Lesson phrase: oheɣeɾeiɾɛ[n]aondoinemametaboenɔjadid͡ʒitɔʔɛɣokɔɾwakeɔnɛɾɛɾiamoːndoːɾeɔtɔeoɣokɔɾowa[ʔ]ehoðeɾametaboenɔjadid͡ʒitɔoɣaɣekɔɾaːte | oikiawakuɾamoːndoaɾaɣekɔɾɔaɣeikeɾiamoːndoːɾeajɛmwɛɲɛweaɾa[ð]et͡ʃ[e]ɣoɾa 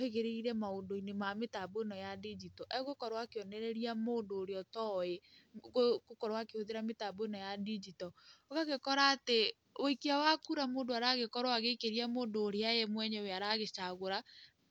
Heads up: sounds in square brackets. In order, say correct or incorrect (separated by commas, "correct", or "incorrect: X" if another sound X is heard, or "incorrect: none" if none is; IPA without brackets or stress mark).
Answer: incorrect: m, incorrect: k, incorrect: ɣ, incorrect: a